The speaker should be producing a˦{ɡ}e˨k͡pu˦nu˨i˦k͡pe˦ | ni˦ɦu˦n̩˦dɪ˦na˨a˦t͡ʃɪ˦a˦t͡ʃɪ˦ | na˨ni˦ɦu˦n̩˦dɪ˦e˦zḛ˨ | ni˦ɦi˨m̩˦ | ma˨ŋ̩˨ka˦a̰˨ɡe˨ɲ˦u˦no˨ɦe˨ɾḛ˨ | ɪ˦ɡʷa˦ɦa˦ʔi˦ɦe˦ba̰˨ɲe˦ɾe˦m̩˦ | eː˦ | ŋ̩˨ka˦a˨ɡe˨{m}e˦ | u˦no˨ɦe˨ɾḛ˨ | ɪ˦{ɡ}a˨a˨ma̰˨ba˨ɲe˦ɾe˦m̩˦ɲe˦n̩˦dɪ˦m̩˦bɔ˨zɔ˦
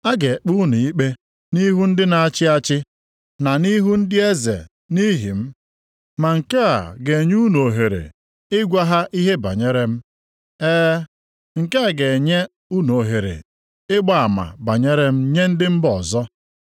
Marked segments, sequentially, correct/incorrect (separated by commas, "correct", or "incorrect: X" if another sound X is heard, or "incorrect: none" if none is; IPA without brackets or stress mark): correct, incorrect: ɲ, incorrect: ɡ͡b